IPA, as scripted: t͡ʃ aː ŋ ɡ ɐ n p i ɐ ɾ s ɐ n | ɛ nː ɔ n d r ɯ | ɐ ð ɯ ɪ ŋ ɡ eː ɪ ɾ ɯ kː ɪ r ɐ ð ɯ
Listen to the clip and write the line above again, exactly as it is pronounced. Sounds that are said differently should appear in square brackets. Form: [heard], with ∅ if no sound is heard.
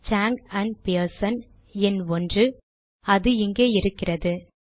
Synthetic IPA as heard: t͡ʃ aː ŋ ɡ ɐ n p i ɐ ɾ s ɐ n | ɛ [n] ɔ n d r ɯ | ɐ ð ɯ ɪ ŋ ɡ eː ɪ ɾ ɯ kː ɪ r ɐ ð ɯ